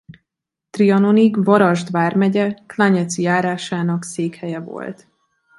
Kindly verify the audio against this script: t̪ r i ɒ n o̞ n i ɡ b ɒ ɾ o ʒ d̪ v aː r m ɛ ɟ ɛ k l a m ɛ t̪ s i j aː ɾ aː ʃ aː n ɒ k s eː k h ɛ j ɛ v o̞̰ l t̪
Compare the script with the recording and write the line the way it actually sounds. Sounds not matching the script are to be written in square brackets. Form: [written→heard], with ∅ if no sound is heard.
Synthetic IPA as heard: t̪ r i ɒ n o̞ n i ɡ [b→v] ɒ ɾ [o→ɒ] ʒ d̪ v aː r m ɛ ɟ ɛ k l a [m→ɲ] ɛ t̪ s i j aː ɾ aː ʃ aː n ɒ k s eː k h ɛ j ɛ v o̞̰ l t̪